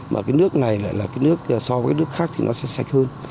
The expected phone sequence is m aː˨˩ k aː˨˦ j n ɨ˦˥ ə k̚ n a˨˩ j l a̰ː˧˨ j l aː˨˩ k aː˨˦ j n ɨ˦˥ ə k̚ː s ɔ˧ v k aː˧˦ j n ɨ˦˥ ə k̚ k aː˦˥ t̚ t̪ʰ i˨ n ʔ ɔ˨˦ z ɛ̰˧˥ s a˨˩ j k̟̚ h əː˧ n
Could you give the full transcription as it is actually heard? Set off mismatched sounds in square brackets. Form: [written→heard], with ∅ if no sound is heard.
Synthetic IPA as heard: m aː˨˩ k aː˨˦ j n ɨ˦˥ ə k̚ n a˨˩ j l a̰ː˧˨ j l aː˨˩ k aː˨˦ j n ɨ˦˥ ə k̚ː s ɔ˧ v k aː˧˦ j n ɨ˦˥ ə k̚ [k→x] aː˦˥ [t̚→k̚] t̪ʰ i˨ n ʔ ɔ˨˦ [z→s] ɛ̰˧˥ s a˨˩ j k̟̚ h əː˧ n